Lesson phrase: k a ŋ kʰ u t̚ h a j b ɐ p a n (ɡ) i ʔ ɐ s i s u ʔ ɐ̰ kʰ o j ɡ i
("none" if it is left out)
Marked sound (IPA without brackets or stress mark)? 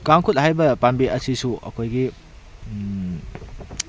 b